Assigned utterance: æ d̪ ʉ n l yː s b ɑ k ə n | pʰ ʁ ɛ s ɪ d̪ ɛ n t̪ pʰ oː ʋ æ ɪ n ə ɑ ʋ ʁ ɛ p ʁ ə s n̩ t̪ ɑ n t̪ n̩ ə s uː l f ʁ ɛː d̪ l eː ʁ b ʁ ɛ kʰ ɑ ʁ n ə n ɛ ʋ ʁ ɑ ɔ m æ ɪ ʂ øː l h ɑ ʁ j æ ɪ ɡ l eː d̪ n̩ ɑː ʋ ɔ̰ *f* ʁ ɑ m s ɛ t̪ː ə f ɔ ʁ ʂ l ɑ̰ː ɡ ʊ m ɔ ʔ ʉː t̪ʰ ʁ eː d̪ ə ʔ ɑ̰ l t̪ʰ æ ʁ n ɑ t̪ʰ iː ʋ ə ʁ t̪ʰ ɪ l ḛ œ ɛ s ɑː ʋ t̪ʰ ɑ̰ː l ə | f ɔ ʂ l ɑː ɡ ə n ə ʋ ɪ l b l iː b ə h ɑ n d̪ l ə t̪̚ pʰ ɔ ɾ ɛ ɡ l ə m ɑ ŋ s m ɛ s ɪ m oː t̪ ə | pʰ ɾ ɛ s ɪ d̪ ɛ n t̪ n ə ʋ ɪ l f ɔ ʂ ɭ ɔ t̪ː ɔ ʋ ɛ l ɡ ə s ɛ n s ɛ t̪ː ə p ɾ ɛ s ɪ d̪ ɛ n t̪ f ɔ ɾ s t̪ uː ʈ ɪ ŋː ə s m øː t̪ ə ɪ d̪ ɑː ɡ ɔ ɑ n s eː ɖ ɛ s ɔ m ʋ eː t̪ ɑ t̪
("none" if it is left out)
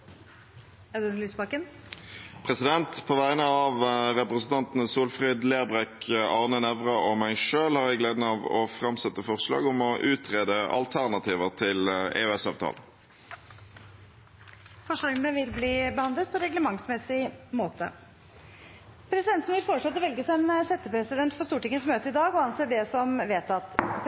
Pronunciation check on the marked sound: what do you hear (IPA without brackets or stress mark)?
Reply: f